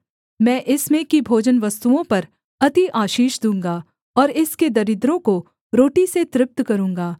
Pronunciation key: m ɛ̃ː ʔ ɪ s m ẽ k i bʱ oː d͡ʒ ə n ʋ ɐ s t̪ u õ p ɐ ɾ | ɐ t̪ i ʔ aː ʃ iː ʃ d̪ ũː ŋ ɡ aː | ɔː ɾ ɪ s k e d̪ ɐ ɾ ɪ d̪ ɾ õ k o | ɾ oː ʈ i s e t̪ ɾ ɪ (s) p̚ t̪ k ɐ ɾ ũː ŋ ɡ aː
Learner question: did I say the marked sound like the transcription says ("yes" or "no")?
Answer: no